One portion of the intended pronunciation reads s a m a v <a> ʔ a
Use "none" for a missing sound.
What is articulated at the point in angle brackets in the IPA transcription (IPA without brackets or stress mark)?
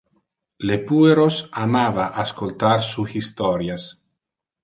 a